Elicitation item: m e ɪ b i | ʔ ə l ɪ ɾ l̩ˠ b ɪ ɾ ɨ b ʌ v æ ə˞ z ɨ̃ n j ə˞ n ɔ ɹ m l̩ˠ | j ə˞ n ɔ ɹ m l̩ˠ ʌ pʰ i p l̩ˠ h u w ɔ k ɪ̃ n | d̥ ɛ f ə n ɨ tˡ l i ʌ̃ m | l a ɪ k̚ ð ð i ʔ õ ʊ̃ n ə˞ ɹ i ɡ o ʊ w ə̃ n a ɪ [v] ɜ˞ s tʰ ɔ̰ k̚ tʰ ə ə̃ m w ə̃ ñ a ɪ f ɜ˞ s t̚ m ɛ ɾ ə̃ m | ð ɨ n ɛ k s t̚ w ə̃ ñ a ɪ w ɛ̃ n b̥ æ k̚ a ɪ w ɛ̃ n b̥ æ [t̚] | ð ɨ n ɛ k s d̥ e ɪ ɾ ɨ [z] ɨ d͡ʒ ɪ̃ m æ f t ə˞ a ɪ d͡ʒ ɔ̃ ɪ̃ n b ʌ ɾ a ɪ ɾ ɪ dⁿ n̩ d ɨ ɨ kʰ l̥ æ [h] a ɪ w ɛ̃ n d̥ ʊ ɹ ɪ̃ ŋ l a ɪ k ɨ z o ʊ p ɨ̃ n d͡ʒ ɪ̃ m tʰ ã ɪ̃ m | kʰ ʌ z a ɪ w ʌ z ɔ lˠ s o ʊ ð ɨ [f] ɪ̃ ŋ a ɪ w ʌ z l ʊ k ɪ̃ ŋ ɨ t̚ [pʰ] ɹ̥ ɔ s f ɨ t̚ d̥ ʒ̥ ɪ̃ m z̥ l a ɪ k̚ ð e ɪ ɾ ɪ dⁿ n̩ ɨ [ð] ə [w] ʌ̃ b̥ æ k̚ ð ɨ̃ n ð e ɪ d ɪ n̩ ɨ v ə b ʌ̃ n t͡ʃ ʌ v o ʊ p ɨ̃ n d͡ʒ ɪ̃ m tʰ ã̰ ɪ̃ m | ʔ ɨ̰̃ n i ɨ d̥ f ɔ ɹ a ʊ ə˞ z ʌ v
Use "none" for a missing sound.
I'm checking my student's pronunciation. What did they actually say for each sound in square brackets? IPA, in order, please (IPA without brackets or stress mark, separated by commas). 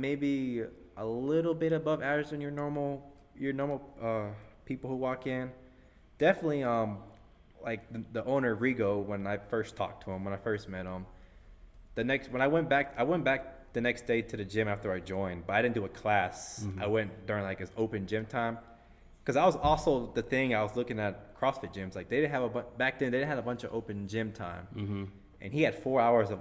f, k̚, ð, s, θ, kʰ, v, b